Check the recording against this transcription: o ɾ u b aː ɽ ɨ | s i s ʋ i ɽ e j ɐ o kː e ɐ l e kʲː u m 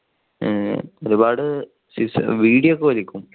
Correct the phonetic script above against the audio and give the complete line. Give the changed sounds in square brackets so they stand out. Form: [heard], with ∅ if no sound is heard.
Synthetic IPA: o ɾ u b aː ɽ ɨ | s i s ʋ [iː] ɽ [i] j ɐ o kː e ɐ l [i] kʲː u m